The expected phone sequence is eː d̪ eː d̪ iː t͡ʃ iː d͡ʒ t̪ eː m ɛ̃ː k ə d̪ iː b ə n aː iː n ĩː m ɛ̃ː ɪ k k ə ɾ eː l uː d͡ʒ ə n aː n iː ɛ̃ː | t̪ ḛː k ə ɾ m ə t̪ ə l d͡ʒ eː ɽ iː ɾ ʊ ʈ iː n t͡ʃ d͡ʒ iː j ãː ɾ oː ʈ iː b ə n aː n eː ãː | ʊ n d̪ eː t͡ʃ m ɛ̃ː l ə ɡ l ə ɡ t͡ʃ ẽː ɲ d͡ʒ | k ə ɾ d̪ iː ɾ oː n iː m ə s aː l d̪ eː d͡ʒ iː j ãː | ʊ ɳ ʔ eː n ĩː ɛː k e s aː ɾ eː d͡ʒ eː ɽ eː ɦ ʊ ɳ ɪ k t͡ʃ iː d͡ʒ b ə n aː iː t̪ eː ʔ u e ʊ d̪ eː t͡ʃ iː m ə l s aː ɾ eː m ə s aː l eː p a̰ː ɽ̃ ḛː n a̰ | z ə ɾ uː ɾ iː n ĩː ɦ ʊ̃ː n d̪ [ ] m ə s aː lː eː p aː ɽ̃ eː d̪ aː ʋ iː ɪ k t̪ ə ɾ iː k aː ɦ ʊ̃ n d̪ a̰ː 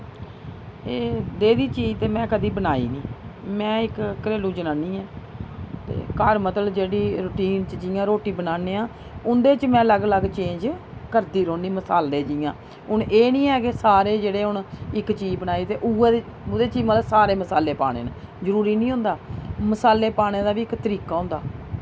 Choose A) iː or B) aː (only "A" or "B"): B